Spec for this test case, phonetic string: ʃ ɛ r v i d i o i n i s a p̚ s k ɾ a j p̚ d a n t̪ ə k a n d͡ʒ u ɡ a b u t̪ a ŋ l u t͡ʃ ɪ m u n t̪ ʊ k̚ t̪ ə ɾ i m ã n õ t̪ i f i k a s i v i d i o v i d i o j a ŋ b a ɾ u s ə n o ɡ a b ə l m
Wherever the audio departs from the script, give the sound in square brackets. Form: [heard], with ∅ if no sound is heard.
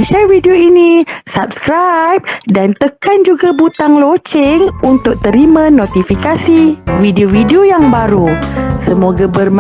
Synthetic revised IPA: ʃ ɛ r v i d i o i n i s a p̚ s k ɾ a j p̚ d a n t̪ ə k a n d͡ʒ u ɡ a b u t̪ a ŋ l [o] t͡ʃ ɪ [ŋ] u n t̪ ʊ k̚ t̪ ə ɾ i m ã n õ t̪ i f i k a s i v i d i o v i d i o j a ŋ b a ɾ u s ə [m] o ɡ a b ə [r] m